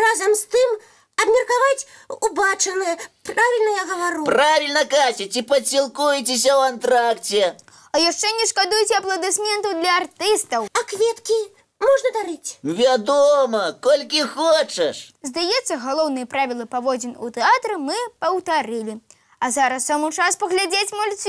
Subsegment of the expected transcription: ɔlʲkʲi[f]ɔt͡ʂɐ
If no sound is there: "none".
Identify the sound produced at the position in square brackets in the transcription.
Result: x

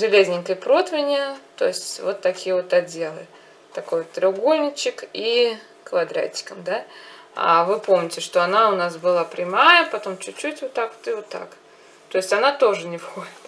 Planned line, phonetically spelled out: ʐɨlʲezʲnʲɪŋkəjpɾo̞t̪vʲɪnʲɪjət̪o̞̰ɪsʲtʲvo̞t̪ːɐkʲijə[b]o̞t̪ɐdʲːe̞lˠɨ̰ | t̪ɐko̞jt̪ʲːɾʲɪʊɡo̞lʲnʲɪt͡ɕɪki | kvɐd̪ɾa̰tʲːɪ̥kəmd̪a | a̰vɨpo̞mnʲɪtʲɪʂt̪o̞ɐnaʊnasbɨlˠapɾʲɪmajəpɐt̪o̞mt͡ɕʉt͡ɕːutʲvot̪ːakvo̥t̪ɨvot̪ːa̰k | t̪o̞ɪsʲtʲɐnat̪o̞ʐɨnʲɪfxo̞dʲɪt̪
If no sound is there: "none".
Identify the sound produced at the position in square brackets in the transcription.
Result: v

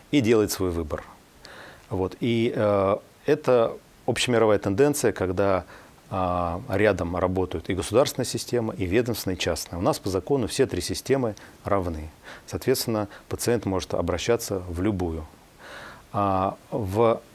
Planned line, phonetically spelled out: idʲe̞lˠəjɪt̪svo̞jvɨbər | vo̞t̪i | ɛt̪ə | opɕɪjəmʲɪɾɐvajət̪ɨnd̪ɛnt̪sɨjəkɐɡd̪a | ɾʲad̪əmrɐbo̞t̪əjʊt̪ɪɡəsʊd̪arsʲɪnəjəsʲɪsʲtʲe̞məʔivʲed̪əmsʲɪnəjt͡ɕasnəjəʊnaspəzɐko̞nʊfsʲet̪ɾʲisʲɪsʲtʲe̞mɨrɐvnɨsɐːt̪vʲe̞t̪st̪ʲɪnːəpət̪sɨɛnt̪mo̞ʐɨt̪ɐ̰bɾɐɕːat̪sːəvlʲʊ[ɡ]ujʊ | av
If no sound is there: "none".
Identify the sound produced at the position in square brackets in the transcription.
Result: b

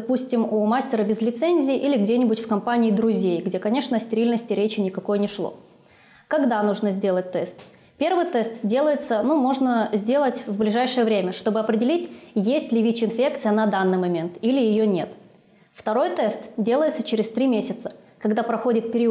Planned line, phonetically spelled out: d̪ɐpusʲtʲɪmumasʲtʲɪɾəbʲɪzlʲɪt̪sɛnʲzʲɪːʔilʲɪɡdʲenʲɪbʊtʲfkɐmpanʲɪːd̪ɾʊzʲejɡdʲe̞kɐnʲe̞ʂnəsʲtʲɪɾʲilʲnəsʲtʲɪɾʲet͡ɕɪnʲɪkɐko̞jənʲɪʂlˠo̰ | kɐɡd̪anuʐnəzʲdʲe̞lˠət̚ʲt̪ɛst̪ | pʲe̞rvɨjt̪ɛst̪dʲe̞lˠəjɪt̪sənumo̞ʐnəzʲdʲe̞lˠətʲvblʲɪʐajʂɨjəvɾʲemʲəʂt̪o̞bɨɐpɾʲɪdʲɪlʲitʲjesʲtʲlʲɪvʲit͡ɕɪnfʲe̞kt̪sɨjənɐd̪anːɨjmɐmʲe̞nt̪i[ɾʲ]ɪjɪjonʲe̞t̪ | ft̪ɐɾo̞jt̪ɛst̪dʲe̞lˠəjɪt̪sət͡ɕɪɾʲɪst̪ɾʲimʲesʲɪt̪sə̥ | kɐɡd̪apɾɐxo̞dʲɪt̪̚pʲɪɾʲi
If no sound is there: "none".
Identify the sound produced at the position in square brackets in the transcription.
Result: lʲ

